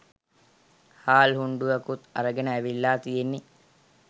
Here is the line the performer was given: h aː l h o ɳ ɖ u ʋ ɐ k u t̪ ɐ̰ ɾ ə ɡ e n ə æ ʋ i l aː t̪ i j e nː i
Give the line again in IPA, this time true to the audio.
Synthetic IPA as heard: h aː l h u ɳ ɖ u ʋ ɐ k u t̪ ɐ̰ ɾ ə ɡ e n ə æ ʋ i lː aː t̪ i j e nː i